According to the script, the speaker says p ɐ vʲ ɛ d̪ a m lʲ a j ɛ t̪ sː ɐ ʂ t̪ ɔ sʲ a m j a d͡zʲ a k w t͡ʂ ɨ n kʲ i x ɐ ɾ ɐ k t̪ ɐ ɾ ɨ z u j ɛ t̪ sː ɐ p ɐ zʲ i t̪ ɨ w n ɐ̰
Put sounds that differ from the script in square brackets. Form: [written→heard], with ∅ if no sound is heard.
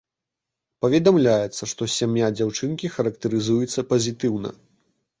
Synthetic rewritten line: p ɐ vʲ ɛ d̪ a m lʲ a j ɛ t̪ sː ɐ ʂ t̪ ɔ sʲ a m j a d͡zʲ a [k→∅] w t͡ʂ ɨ n kʲ i x ɐ ɾ ɐ k t̪ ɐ ɾ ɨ z u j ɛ t̪ sː ɐ p ɐ zʲ i t̪ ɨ w n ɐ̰